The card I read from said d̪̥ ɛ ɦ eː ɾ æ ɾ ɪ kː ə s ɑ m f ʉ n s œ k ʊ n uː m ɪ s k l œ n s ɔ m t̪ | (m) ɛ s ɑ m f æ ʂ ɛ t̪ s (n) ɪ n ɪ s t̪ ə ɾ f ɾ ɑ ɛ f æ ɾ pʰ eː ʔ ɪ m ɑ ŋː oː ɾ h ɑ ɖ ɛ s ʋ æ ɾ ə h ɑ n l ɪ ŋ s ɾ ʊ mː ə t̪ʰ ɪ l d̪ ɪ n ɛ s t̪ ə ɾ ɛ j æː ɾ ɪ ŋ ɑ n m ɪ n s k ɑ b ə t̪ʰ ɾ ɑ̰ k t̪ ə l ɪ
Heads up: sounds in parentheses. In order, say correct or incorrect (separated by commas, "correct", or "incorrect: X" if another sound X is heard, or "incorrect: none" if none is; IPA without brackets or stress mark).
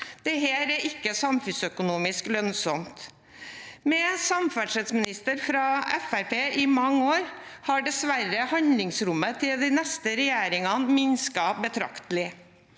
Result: correct, incorrect: m